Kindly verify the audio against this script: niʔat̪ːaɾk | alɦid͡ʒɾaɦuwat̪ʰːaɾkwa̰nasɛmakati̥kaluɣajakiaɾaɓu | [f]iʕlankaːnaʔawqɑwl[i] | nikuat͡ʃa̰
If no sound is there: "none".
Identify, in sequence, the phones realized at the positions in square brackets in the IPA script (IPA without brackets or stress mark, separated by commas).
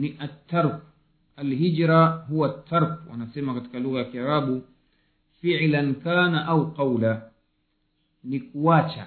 f, a